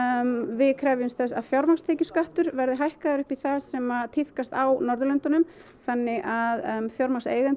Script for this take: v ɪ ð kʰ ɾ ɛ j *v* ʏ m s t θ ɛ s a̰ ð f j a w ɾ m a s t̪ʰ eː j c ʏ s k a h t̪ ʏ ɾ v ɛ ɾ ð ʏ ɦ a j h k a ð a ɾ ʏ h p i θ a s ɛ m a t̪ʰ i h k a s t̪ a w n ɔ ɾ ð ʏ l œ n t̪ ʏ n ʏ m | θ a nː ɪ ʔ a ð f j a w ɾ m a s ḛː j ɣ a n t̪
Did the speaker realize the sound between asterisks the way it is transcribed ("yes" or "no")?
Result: yes